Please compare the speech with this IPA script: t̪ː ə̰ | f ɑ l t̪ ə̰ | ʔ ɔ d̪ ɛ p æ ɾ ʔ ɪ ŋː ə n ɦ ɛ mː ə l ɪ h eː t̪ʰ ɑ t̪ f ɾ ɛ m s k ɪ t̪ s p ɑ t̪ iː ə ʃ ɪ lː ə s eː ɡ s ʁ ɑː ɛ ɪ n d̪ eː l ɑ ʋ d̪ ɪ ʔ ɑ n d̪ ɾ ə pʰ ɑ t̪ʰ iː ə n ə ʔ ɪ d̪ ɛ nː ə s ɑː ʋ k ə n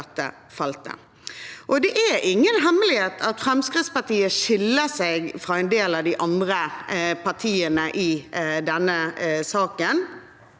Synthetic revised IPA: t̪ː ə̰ | f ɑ l t̪ ə̰ | ʔ ɔ d̪ ɛ ʔ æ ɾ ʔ ɪ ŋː ə n ɦ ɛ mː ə l ɪ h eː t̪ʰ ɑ t̪ f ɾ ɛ m s k ɪ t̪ s p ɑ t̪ iː ə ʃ ɪ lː ə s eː ɡ f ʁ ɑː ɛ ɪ n d̪ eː l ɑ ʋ d̪ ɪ ʔ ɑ n d̪ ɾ ə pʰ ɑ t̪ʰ iː ə n ə ʔ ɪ d̪ ɛ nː ə s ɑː k ə n